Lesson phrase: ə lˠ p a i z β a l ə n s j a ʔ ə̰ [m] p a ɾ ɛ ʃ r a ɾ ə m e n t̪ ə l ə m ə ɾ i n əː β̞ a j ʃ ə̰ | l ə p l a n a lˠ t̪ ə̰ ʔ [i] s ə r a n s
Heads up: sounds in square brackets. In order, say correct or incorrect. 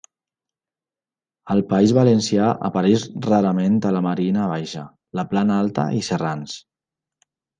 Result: incorrect: none, correct

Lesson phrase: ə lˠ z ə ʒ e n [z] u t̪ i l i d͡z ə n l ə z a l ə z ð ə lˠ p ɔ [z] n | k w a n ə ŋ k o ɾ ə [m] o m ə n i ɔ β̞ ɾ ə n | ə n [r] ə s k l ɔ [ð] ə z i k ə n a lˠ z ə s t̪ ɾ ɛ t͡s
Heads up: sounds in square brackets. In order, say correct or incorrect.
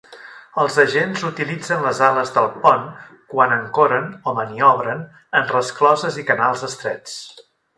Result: correct, incorrect: none, incorrect: n, correct, incorrect: z

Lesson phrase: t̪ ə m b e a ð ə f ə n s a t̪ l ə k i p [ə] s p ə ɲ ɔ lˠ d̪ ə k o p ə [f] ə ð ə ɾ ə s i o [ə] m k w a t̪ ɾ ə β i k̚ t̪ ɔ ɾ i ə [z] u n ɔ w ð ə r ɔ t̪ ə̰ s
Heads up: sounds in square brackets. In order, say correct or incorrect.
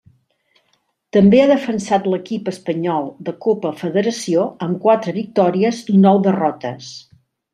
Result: correct, correct, correct, correct

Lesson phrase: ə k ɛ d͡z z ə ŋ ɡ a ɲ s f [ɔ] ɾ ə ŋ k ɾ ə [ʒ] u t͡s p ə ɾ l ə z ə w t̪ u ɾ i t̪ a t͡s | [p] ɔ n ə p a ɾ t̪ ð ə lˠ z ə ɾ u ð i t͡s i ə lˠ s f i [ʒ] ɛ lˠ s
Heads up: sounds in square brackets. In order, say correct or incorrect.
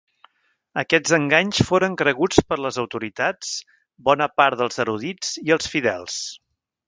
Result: incorrect: o, incorrect: ɣ, incorrect: b, incorrect: ð

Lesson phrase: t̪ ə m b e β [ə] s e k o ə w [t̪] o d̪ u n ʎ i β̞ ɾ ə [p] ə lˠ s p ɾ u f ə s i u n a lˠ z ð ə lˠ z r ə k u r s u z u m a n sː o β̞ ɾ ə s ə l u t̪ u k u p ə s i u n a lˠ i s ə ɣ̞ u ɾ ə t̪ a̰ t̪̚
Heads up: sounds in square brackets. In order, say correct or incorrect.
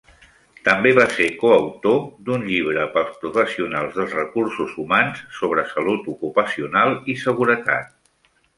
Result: incorrect: a, correct, correct

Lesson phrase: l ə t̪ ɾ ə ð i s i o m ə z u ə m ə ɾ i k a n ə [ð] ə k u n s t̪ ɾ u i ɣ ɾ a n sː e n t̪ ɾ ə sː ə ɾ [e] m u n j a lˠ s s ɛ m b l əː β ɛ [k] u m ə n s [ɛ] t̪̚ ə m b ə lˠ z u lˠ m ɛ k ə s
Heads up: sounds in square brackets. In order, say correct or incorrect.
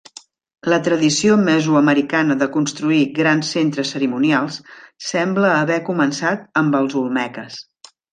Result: correct, incorrect: i, correct, incorrect: a

